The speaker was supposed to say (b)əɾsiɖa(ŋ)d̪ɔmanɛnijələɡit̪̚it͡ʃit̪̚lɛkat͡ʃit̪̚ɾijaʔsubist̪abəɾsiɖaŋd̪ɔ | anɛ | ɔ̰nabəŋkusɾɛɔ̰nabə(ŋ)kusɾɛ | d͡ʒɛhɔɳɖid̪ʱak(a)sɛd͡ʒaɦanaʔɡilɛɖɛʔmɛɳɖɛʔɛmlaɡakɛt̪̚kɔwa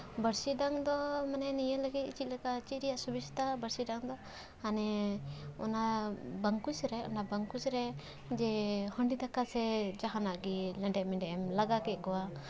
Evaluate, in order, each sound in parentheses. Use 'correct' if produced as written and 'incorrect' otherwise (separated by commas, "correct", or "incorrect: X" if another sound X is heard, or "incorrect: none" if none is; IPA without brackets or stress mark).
correct, correct, correct, correct